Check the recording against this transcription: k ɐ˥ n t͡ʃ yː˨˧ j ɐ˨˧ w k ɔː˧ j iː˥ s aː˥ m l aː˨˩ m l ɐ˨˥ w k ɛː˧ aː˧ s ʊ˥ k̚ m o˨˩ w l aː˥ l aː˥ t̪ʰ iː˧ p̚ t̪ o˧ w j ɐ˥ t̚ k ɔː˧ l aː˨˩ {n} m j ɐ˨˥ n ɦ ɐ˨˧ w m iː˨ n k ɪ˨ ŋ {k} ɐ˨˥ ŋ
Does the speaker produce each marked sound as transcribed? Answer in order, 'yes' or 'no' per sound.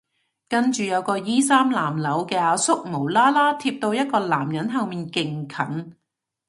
no, no

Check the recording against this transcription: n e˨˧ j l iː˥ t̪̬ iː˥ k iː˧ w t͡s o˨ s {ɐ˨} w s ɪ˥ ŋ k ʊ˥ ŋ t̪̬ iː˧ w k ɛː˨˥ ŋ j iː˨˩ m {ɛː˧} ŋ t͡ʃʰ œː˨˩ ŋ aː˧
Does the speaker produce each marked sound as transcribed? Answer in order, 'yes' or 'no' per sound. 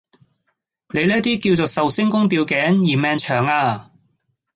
yes, yes

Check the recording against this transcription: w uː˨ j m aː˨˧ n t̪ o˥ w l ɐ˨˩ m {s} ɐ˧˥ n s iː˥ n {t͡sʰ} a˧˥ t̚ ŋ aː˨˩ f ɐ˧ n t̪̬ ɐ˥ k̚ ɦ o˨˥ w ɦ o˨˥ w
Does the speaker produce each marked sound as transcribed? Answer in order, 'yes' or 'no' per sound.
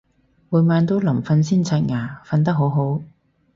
no, yes

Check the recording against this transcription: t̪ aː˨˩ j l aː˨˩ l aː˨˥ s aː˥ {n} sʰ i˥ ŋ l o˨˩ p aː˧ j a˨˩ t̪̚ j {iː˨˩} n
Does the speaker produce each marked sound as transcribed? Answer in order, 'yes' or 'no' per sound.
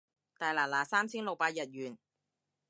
no, no

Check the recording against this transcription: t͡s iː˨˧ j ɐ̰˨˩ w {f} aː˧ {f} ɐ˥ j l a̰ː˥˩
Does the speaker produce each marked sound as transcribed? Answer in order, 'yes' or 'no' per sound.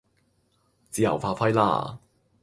yes, yes

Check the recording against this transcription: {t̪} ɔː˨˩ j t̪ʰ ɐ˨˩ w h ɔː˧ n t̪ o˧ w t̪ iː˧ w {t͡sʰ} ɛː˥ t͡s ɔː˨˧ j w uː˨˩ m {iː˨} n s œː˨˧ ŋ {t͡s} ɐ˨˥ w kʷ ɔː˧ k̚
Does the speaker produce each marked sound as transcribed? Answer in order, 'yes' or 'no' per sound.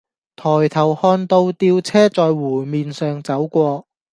no, yes, yes, yes

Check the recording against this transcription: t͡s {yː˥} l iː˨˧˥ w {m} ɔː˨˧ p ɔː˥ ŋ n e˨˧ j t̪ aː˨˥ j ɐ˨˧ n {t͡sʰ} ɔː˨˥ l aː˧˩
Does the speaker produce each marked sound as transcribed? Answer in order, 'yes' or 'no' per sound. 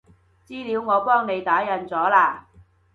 no, no, no

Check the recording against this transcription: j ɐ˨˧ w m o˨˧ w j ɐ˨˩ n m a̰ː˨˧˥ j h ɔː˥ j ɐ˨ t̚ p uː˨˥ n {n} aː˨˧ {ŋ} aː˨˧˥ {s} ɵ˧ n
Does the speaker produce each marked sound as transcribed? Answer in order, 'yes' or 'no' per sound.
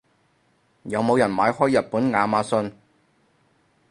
no, no, yes

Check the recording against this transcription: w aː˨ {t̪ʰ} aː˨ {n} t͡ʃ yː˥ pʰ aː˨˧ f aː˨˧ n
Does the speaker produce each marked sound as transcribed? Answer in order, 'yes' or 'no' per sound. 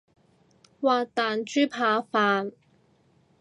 no, yes

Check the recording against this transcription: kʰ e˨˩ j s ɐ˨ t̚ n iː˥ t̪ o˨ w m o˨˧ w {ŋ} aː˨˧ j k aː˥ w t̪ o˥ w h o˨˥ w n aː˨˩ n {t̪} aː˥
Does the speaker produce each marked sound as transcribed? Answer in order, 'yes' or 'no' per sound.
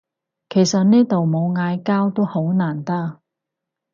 yes, yes

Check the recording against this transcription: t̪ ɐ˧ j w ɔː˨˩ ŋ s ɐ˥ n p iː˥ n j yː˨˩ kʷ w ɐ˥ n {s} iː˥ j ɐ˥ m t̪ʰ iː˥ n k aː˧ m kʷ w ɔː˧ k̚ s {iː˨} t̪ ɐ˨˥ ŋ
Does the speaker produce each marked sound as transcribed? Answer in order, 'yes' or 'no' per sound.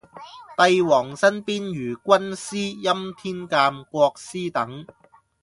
yes, no

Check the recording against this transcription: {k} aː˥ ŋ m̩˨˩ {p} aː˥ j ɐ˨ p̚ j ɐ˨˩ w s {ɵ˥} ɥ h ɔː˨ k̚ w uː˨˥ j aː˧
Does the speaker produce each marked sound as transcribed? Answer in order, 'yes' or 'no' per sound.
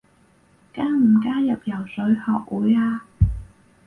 yes, no, no

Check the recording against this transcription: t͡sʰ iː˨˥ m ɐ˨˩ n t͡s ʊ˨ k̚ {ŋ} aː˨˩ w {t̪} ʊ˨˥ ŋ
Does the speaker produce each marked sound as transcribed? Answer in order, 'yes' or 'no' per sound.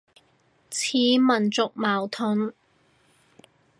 no, no

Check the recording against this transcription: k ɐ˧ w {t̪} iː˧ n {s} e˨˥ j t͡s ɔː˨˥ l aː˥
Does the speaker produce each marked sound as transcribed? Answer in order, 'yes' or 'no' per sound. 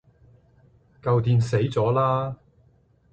yes, yes

